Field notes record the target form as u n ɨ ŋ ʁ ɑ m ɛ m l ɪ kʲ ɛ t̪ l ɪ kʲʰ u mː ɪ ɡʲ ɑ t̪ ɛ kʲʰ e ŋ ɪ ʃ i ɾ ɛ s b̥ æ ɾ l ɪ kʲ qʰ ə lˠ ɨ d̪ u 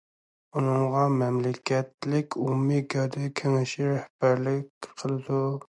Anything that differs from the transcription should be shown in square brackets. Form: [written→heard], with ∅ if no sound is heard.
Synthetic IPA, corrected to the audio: u n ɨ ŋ ʁ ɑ m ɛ m l ɪ kʲ ɛ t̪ l ɪ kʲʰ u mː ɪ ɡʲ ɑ [t̪→d̪] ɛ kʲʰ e ŋ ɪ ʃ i ɾ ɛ [s→h] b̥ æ ɾ l ɪ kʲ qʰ ə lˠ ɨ d̪ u